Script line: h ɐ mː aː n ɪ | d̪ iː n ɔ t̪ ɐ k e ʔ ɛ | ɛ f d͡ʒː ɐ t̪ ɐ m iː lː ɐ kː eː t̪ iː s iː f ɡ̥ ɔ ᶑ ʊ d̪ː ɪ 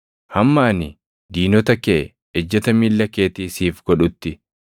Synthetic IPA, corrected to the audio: h ɐ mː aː n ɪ | d̪ iː n ɔ t̪ ɐ k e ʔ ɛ | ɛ d͡ʒː ɐ t̪ ɐ m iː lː ɐ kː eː t̪ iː s iː f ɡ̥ ɔ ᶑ ʊ t̪ː ɪ

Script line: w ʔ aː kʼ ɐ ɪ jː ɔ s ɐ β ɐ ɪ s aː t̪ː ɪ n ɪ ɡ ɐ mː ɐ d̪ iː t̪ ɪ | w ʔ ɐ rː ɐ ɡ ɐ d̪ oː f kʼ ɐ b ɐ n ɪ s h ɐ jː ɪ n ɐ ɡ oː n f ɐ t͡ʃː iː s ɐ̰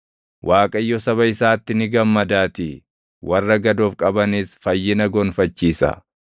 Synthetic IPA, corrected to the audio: w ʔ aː kʼ ɐ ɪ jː ɔ s ɐ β ɐ ɪ s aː t̪ː ɪ n ɪ ɡ ɐ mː ɐ d̪ aː t̪ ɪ | w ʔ ɐ rː ɐ ɡ ɐ d̪ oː f kʼ ɐ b ɐ n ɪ s f ɐ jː ɪ n ɐ ɡ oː n f ɐ t͡ʃː iː s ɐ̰

